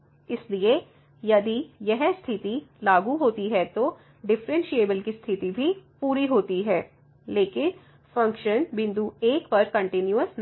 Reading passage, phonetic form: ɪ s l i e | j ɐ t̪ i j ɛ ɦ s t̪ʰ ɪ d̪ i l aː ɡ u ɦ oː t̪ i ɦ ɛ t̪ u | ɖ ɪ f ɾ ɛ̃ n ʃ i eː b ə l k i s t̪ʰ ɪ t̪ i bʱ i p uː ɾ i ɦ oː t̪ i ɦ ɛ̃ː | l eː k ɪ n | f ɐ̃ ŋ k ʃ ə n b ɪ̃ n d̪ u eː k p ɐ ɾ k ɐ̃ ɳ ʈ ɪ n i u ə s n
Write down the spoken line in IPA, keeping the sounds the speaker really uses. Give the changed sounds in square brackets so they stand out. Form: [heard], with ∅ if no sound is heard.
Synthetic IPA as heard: ɪ s l i e | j ɐ [d̪] i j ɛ ɦ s t̪ʰ ɪ [t̪] i l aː ɡ u ɦ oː t̪ i ɦ ɛ t̪ [o] | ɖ ɪ f ɾ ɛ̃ n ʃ i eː b ə l k i s t̪ʰ ɪ t̪ i bʱ i p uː ɾ i ɦ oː t̪ i ɦ [ɛː] | l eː k ɪ n | f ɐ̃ ŋ k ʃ ə n b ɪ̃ n d̪ u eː k p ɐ ɾ k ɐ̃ ɳ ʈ ɪ n [j] u ə s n